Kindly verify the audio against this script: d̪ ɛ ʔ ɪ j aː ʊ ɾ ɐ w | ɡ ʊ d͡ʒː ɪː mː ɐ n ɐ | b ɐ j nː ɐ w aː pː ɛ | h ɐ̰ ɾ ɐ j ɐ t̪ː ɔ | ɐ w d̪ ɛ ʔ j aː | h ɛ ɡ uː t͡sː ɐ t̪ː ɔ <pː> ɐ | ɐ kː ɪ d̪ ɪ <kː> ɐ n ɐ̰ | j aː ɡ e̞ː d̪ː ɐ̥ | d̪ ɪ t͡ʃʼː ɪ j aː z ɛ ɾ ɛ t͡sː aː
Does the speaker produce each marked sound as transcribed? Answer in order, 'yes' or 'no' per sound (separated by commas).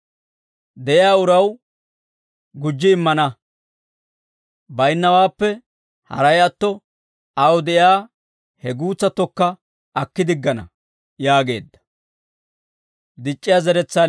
no, no